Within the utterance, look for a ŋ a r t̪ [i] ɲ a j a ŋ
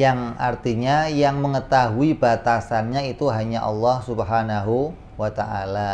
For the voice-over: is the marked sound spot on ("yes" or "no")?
yes